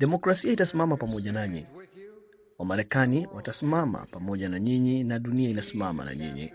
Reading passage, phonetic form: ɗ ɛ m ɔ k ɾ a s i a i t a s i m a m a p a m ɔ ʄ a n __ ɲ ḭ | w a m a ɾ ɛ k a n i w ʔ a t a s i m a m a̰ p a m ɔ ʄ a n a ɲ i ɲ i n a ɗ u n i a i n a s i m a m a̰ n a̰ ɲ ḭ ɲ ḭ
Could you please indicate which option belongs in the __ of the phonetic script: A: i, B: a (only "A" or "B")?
B